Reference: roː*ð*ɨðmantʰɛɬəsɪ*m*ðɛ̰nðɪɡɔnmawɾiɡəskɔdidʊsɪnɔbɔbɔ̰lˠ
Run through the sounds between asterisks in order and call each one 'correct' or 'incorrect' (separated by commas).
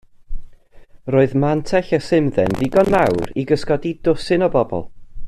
incorrect, correct